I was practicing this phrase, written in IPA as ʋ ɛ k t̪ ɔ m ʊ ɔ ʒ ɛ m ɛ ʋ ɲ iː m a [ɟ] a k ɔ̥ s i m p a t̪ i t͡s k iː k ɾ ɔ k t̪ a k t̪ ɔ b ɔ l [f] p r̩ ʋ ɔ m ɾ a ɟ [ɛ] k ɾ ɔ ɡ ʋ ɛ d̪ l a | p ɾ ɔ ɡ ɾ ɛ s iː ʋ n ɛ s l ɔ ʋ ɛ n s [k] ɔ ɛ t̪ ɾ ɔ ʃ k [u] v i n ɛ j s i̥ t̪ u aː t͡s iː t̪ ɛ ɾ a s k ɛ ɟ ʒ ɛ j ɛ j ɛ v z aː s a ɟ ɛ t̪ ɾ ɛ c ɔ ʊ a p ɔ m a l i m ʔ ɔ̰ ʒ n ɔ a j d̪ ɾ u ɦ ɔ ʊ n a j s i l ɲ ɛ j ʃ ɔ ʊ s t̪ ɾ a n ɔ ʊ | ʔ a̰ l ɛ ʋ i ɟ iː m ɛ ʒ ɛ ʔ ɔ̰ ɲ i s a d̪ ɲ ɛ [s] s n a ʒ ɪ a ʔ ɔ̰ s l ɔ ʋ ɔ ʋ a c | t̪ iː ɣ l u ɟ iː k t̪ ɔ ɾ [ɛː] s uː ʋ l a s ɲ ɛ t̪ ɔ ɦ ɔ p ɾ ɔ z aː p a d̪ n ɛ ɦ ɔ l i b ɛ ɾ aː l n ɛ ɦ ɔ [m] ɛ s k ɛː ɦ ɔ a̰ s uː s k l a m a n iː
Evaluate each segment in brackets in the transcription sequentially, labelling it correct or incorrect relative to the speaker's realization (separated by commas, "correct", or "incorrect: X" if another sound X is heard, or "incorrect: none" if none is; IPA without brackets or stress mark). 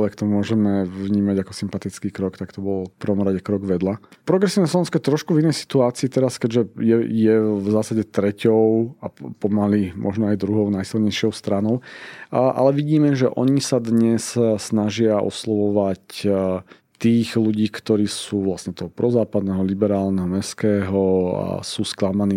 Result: correct, correct, correct, correct, correct, correct, incorrect: iː, correct